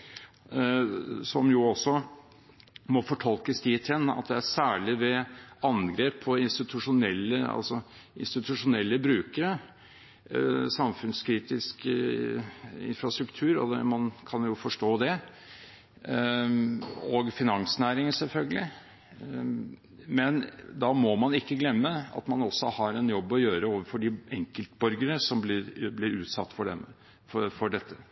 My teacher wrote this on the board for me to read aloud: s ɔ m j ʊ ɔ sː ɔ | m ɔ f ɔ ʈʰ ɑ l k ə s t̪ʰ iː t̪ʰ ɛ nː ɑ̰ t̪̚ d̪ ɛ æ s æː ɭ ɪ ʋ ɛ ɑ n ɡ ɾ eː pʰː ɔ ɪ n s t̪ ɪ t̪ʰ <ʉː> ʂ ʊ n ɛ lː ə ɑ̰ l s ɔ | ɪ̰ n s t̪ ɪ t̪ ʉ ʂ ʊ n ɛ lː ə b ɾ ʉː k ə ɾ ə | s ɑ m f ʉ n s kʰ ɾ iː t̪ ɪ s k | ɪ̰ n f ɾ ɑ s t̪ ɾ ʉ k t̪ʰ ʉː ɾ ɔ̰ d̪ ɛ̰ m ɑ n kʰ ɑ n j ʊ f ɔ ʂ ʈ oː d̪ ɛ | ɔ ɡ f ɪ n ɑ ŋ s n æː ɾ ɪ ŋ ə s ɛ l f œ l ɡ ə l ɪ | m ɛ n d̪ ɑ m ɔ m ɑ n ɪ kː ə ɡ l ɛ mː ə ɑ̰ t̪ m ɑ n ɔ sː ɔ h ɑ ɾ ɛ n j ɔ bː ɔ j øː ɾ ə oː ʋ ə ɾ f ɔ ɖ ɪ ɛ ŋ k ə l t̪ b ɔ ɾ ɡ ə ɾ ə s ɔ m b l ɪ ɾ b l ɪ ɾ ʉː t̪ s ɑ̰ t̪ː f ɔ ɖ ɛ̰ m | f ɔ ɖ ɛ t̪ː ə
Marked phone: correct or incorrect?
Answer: incorrect